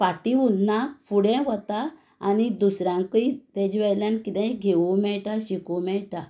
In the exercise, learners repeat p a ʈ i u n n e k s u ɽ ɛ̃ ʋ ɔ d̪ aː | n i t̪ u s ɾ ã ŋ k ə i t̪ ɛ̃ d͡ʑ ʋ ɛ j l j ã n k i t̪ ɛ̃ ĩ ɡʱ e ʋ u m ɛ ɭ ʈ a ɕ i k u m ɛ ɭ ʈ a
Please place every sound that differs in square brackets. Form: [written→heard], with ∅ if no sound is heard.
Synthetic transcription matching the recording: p a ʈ i u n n [e→a] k [s→f] u ɽ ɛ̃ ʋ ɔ [d̪→t̪] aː | n i [t̪→d̪] u s ɾ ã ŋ k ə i t̪ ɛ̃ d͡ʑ ʋ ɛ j l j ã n k i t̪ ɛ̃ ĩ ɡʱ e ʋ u m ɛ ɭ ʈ a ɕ i k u m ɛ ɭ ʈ a